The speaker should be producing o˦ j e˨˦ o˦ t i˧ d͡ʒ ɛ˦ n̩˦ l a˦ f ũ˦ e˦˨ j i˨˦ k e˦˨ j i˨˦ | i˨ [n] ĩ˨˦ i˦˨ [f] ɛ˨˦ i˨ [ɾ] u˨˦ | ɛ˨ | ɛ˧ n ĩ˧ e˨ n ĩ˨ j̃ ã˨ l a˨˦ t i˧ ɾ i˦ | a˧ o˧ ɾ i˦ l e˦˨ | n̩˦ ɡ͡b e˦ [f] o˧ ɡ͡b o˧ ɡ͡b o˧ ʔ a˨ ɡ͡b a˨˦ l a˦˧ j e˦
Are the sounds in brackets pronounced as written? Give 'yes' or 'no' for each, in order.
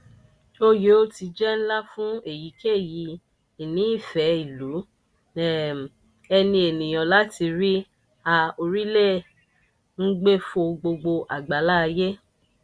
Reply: yes, yes, no, yes

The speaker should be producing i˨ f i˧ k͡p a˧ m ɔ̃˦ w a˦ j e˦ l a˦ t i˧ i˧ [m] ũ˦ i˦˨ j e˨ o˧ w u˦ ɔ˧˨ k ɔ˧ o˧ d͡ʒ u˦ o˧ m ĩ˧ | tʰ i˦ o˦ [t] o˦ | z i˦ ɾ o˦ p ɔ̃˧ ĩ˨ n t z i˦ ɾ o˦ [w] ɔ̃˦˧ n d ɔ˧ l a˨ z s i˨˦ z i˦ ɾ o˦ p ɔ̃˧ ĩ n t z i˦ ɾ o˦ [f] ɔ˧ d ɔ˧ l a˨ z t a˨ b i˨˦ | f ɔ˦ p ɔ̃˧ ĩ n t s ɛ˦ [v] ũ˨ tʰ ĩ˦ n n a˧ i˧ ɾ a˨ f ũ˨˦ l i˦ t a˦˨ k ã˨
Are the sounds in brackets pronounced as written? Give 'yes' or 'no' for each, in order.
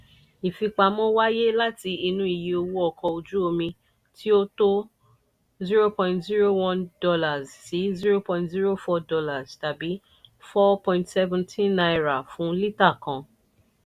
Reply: no, yes, yes, yes, yes

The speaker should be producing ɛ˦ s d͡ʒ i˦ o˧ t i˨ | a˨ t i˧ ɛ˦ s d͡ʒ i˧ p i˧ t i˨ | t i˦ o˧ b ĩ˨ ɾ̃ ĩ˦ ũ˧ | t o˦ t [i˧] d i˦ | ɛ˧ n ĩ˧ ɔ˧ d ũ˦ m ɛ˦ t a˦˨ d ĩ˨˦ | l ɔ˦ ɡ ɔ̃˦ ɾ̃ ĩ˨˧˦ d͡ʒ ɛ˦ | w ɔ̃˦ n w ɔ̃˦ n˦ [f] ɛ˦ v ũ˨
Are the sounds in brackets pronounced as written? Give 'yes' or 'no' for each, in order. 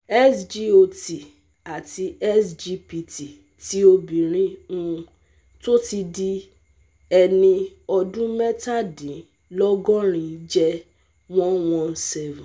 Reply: yes, no

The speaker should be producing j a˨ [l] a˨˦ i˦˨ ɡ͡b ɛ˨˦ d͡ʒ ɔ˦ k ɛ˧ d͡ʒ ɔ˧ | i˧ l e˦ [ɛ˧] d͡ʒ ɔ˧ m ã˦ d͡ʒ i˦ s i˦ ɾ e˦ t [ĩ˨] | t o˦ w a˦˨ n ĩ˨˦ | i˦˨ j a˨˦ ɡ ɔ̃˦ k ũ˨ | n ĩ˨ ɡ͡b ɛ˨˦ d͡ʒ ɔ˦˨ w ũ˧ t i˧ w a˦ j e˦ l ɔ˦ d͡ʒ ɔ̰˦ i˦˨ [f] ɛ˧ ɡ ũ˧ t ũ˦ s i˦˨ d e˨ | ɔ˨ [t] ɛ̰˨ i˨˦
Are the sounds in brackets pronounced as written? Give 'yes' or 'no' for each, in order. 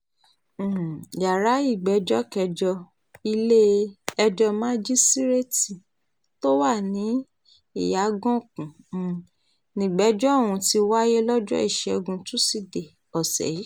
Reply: no, yes, no, no, no

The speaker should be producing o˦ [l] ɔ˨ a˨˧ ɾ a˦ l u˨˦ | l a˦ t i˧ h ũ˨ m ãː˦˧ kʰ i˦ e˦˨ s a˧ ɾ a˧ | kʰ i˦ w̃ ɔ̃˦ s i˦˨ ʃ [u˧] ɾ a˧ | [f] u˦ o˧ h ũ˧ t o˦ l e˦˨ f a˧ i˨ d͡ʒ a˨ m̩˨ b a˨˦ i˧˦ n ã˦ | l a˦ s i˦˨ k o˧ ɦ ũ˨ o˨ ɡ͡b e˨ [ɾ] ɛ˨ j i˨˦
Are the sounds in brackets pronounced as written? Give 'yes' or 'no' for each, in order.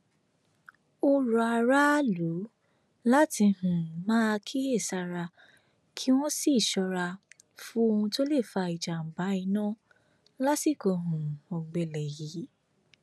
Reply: no, no, yes, no

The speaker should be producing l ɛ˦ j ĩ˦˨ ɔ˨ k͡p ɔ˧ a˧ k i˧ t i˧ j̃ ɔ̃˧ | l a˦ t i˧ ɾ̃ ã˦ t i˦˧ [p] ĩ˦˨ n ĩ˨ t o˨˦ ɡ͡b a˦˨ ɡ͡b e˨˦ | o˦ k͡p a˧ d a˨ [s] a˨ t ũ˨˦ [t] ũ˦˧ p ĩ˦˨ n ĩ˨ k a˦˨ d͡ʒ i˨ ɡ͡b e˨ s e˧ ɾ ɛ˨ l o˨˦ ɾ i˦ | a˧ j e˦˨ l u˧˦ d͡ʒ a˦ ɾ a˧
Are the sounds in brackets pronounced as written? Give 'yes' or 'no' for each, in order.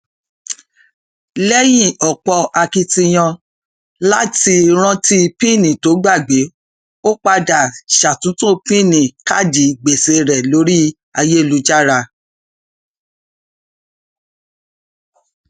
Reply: yes, no, yes

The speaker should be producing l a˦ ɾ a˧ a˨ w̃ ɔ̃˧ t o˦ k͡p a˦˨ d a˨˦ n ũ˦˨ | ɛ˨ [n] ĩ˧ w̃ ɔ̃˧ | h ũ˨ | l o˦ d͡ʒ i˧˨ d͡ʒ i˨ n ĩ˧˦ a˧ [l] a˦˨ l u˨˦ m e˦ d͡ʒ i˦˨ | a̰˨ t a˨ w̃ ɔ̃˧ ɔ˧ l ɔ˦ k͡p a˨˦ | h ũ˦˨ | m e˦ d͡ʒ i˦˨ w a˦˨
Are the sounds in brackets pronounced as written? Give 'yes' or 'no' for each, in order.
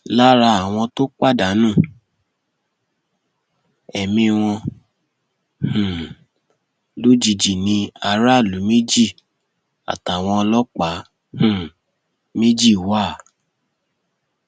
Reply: no, no

